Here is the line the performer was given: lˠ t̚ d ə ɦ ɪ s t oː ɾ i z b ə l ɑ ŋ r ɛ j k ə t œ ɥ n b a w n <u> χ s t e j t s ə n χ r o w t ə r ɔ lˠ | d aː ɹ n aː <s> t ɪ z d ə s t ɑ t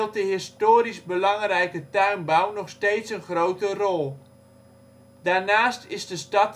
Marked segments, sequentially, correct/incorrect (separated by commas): incorrect, correct